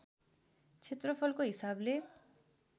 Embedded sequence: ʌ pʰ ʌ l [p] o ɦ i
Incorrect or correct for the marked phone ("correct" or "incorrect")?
incorrect